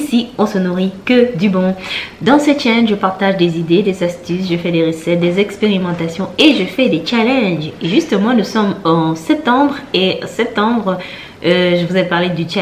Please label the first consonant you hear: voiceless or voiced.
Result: voiceless